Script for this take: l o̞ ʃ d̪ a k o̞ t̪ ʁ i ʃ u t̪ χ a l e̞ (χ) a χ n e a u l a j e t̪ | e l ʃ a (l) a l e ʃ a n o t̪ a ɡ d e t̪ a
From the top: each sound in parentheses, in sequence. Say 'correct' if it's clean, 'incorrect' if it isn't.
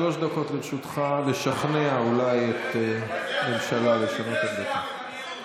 incorrect: ʃ, correct

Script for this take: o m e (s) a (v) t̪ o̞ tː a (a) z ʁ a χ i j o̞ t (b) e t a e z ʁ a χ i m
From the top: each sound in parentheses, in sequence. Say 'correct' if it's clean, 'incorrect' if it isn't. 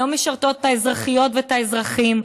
incorrect: ʃ, incorrect: ʁ, incorrect: e, incorrect: v

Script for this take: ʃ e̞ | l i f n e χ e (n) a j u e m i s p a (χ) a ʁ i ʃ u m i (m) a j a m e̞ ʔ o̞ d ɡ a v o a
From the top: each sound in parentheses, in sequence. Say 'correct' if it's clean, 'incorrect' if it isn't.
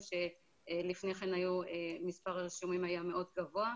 correct, incorrect: ʁ, correct

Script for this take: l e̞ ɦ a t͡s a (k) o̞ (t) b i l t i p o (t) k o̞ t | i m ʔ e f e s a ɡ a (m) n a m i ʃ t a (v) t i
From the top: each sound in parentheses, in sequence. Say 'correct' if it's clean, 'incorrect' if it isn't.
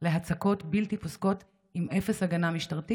correct, correct, incorrect: s, incorrect: none, incorrect: ʁ

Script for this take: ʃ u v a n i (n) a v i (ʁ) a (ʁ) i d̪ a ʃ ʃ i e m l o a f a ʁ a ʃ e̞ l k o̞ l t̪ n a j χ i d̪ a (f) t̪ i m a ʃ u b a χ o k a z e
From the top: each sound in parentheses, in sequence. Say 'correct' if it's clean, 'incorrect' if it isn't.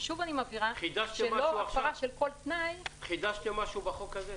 incorrect: m, correct, incorrect: χ, incorrect: ʃ

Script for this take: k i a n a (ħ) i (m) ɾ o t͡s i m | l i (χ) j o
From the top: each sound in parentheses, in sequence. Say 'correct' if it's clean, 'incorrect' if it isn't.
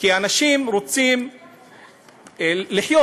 incorrect: ʃ, correct, incorrect: ħ

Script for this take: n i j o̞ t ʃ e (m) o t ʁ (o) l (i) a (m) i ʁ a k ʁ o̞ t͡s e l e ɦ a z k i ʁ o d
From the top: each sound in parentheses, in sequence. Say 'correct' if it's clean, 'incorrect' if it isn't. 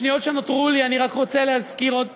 incorrect: n, incorrect: u, correct, incorrect: n

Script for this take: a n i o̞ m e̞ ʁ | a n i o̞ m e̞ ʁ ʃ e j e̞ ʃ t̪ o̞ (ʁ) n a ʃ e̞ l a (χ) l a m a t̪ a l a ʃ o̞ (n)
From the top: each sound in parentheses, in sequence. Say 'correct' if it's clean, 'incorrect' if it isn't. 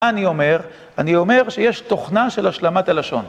incorrect: χ, incorrect: ʃ, correct

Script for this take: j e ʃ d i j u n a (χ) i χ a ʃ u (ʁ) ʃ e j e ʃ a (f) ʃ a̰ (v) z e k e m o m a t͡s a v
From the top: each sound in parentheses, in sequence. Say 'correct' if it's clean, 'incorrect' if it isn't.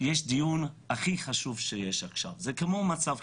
correct, incorrect: v, incorrect: χ, correct

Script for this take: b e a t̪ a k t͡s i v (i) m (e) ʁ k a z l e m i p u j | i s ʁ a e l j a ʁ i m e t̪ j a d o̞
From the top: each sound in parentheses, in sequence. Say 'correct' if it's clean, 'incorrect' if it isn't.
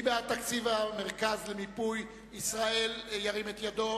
incorrect: a, correct

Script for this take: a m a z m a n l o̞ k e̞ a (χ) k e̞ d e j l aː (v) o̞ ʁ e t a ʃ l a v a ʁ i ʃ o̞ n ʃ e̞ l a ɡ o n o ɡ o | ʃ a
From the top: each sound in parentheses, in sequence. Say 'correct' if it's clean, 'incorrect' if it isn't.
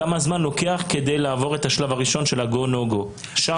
correct, correct

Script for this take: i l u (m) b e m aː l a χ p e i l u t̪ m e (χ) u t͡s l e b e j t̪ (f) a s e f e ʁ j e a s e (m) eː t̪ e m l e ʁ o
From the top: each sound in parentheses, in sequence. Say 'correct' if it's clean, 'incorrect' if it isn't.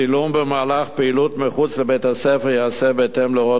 correct, correct, incorrect: h, incorrect: b

